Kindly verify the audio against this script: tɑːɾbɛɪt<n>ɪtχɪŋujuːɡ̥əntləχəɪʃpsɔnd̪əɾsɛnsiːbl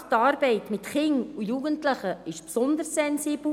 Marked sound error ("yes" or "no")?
yes